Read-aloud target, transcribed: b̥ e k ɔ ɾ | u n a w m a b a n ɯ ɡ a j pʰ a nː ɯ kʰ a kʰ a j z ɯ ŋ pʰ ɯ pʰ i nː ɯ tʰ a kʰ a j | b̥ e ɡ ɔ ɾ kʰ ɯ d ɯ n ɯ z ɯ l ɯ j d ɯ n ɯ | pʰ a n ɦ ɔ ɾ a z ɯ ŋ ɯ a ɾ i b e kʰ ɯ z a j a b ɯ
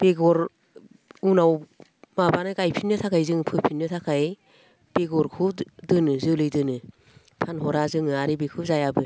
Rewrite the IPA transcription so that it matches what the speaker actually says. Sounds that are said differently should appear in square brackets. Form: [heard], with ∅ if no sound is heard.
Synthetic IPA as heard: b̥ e [ɡ] ɔ ɾ | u n a w m a b a n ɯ ɡ a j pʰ [i] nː ɯ [tʰ] a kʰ a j z ɯ ŋ pʰ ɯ pʰ i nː ɯ tʰ a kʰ a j | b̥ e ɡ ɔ ɾ kʰ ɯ d ɯ n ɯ z ɯ l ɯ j d ɯ n ɯ | pʰ a n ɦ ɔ ɾ a z ɯ ŋ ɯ a ɾ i b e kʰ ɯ z a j a b ɯ